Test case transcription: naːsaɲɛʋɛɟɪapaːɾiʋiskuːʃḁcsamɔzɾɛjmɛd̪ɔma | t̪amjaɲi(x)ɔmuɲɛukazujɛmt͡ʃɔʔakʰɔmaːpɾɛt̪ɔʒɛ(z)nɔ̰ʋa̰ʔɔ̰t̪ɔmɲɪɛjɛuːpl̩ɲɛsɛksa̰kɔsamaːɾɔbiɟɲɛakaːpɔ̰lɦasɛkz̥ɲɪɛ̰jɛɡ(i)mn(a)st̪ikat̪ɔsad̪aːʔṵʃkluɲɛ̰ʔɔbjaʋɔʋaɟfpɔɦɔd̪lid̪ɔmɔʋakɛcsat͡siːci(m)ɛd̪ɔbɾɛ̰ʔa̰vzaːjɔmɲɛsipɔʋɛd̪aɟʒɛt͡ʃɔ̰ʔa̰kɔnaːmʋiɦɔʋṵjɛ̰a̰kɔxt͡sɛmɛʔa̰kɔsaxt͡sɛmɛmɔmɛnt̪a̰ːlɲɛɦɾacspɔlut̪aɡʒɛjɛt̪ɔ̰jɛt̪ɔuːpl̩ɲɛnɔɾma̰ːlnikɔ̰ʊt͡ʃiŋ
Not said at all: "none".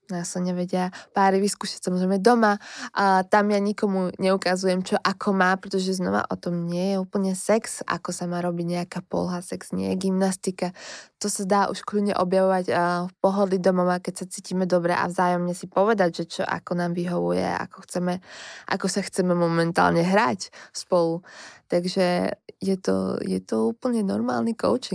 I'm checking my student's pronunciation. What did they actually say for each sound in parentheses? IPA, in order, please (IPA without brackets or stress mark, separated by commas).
k, z, i, a, m